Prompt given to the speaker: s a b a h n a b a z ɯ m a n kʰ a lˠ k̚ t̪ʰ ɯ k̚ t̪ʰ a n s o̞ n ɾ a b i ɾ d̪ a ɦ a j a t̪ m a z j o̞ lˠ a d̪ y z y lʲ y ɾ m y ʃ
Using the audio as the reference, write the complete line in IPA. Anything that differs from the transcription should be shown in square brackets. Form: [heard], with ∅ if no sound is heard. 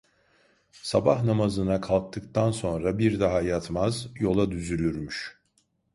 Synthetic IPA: s a b a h n a [m] a z ɯ [n] a [∅] kʰ a lˠ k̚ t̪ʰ ɯ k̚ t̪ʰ a n s o̞ n ɾ a b i ɾ d̪ a ɦ a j a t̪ m a z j o̞ lˠ a d̪ y z y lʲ y ɾ m y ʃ

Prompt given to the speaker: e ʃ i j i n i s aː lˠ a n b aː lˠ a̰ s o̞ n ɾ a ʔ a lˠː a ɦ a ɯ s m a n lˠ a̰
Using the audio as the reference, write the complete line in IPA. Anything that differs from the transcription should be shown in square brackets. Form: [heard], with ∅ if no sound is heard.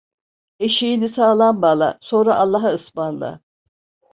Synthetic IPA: e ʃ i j i n i s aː lˠ a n b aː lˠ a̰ s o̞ n ɾ a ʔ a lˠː a ɦ a ɯ s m a n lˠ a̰

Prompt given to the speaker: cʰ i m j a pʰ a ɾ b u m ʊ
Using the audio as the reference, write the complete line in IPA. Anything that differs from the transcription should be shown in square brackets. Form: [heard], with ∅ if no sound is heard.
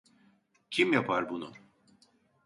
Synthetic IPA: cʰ i m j a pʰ a ɾ b u [n] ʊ

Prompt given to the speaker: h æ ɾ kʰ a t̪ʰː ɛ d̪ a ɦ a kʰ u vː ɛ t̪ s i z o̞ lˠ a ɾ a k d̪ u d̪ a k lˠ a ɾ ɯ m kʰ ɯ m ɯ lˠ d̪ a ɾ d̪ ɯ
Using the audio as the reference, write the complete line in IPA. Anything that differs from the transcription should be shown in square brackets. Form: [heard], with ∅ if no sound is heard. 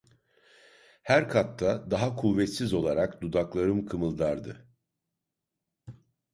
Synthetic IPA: h æ ɾ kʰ a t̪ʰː [a] d̪ a ɦ a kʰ u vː ɛ t̪ s i z o̞ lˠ a ɾ a k d̪ u d̪ a k lˠ a ɾ ɯ m kʰ ɯ m ɯ lˠ d̪ a ɾ d̪ ɯ

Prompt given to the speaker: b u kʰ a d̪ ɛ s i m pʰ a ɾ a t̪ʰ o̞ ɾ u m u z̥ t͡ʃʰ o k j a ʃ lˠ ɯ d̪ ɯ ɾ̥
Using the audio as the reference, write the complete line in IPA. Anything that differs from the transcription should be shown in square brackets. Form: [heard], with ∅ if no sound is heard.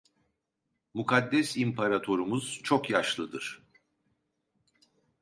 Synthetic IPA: [m] u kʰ a [d̪ː] ɛ s i m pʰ a ɾ a t̪ʰ o̞ ɾ u m u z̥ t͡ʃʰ o k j a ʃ lˠ ɯ d̪ ɯ ɾ̥

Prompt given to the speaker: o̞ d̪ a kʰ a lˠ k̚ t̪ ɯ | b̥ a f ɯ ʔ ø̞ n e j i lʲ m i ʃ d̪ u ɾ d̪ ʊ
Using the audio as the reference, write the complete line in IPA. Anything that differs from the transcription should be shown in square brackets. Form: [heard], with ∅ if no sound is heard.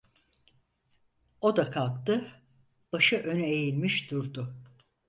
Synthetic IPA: o̞ d̪ a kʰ a lˠ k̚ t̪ ɯ | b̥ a [ʃ] ɯ ʔ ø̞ n e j i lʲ m i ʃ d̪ u ɾ d̪ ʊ

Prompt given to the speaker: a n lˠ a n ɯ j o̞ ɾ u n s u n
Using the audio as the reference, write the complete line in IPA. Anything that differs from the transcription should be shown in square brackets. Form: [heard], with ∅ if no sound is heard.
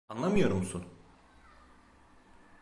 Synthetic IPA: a n lˠ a [m] ɯ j o̞ ɾ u [m] s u n

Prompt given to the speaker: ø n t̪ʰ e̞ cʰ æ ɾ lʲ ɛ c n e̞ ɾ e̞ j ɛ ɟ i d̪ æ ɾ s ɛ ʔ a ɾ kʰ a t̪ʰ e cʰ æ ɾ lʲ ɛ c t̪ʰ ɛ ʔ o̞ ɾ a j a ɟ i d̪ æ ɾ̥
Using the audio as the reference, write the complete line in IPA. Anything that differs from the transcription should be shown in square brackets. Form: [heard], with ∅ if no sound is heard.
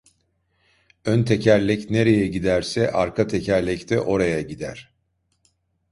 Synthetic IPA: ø n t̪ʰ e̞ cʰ æ ɾ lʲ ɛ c n e̞ ɾ e̞ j ɛ ɟ i d̪ æ ɾ s ɛ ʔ a ɾ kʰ a t̪ʰ e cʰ æ ɾ lʲ ɛ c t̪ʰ ɛ ʔ o̞ ɾ a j a ɟ i d̪ æ ɾ̥

